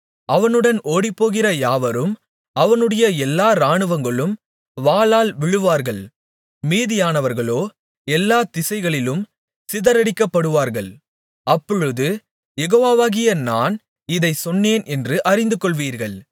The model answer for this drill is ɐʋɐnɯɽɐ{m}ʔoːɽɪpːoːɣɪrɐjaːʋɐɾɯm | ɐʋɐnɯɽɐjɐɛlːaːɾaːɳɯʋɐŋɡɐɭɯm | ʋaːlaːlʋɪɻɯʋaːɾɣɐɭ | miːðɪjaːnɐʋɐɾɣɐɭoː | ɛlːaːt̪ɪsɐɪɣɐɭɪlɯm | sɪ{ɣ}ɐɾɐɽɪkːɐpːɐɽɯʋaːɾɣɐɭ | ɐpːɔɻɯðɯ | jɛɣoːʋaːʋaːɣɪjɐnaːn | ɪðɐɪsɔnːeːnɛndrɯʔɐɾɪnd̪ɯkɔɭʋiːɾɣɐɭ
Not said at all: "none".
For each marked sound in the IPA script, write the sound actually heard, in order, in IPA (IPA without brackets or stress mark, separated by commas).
n, ð